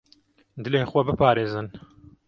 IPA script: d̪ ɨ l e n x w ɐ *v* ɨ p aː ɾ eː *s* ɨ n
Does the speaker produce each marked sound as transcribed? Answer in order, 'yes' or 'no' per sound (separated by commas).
no, no